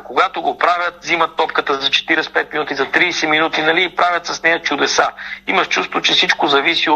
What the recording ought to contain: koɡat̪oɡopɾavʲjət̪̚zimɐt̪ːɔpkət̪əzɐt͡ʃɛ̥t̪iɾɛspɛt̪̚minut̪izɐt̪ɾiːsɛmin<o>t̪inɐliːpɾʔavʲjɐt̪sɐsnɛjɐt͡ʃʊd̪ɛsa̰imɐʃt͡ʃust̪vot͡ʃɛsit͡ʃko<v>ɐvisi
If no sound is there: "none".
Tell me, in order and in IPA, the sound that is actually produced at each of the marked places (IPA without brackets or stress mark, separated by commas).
u, z